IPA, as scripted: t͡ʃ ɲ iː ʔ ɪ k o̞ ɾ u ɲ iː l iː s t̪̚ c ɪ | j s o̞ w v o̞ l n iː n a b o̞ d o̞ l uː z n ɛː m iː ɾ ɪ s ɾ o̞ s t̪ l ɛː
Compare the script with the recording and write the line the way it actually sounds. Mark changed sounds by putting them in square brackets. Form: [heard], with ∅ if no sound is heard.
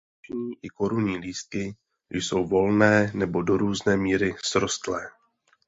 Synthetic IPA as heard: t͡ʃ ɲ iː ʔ ɪ k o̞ ɾ u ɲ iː l iː s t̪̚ [k] ɪ | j s o̞ w v o̞ l n [ɛː] n [ɛ] b o̞ d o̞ [ɾ] uː z n ɛː m iː ɾ ɪ s ɾ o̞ s t̪ l ɛː